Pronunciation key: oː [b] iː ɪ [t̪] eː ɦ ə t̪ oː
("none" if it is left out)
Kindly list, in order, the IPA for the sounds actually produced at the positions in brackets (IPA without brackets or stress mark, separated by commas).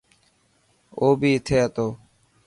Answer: b, t̪ʰ